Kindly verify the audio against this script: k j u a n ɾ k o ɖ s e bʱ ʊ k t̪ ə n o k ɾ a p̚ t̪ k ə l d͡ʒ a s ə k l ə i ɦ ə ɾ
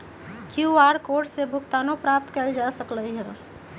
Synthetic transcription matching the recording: k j u a ɾ k o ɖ s e bʱ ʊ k t̪ a n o p ɾ a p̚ t̪ k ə l d͡ʒ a s ə k l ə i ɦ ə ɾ